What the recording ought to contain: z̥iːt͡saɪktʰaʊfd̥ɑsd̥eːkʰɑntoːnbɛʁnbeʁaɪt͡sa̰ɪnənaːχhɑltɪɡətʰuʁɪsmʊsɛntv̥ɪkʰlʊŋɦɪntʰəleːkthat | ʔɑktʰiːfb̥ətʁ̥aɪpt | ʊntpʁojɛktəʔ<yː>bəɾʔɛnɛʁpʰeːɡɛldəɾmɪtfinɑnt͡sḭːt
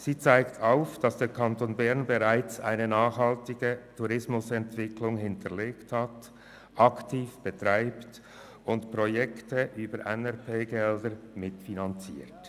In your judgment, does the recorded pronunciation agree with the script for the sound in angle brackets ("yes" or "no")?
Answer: yes